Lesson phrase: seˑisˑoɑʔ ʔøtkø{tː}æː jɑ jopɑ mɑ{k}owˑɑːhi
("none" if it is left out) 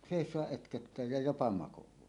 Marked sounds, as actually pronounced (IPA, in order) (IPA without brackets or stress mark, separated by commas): tː, k